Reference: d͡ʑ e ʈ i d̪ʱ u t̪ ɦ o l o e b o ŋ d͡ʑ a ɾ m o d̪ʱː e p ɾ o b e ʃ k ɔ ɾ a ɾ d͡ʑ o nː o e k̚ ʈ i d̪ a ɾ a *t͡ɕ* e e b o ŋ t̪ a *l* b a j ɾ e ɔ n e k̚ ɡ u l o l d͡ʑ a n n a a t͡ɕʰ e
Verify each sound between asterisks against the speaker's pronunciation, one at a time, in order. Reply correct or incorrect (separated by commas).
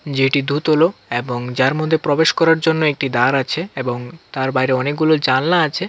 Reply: incorrect, incorrect